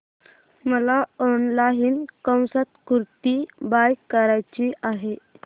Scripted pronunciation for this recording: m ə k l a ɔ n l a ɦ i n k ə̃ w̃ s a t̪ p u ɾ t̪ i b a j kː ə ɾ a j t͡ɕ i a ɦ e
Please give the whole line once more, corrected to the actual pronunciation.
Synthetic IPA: m ə l a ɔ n l a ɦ i n k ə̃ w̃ s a t̪ k u ɾ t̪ i b a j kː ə ɾ a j t͡ɕ i a ɦ e

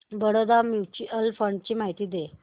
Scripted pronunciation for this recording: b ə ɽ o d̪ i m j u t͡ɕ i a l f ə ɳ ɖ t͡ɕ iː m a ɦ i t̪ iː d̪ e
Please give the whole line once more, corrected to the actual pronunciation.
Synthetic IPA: b ə ɽ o d̪ a m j u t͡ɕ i ə l f ə ɳ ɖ t͡ɕ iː m a ɦ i t̪ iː d̪ e

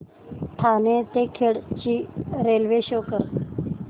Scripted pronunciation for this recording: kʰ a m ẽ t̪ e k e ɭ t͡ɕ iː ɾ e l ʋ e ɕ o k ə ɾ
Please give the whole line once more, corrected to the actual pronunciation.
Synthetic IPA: ʈʰ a n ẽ t̪ e kʰ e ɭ t͡ɕ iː ɾ e l ʋ e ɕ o k ə ɾ

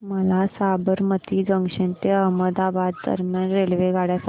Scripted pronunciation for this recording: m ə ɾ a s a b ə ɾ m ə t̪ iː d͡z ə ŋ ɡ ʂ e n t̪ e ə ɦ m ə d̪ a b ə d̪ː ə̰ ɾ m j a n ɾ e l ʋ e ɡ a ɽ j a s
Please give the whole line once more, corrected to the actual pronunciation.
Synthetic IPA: m ə l a s a b ə ɾ m ə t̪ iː d͡z ə ŋ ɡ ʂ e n t̪ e ə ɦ m ə d̪ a b a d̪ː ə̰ ɾ m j a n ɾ e l ʋ e ɡ a ɽ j a s

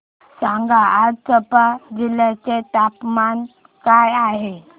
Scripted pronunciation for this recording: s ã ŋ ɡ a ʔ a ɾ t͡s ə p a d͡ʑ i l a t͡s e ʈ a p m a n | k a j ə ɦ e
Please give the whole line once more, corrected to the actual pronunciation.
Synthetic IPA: s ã ŋ ɡ a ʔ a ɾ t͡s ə p a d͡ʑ i l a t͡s e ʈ a p m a n | k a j a ɦ e

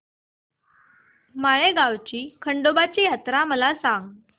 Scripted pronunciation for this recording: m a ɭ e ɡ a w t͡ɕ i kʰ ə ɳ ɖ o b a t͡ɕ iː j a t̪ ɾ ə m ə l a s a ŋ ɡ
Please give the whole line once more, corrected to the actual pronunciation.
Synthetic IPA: m a ɭ e ɡ a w t͡ɕ iː kʰ ə ɳ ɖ o b a t͡ɕ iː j a t̪ ɾ a m ə l a s a ŋ ɡ

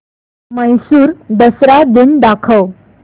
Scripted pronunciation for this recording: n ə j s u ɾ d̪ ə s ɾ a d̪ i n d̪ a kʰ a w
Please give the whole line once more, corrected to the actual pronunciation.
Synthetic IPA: m ə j s uː ɾ d̪ ə s ɾ a d̪ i n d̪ a kʰ ə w

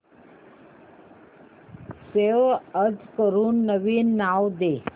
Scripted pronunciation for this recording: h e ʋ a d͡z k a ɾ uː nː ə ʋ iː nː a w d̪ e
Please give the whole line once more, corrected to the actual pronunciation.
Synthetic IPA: s e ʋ ə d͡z k ə ɾ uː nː ə ʋ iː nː a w d̪ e

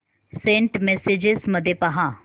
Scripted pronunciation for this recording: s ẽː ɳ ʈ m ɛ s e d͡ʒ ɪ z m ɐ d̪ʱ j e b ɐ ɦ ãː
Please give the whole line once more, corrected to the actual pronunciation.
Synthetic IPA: s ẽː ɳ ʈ m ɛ s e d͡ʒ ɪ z m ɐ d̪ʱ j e p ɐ ɦ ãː

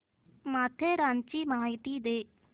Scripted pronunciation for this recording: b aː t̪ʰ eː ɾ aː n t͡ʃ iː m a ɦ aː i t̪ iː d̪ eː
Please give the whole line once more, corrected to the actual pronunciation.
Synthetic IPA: m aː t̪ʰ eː ɾ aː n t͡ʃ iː m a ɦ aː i t̪ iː d̪ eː

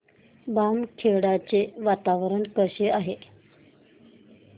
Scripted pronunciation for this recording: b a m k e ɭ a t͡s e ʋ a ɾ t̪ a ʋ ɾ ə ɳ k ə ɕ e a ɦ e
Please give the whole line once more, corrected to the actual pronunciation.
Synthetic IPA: b a m kʰ e ɽ a t͡s e ʋ a t̪ a ʋ ɾ ə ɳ k ə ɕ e a ɦ e

